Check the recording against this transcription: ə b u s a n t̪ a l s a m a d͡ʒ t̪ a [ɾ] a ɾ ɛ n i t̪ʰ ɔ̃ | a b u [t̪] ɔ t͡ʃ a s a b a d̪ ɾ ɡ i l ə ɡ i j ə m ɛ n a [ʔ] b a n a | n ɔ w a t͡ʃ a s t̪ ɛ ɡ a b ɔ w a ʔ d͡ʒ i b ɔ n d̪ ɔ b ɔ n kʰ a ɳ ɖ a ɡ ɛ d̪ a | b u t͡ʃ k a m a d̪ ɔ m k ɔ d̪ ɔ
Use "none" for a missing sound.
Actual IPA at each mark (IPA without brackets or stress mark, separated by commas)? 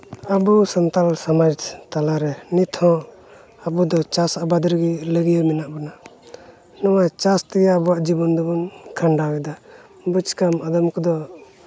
l, d̪, ʔ